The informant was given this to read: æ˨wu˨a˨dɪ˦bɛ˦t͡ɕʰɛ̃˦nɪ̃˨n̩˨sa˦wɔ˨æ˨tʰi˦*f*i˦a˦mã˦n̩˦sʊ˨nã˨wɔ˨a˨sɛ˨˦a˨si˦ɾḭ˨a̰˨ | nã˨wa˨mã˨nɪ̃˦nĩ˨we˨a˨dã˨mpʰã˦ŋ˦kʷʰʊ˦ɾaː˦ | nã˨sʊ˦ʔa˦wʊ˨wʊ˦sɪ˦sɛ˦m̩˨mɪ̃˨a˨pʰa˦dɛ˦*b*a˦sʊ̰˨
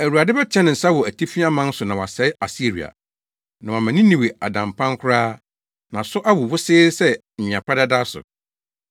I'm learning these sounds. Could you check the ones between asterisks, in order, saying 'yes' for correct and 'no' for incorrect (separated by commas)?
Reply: yes, no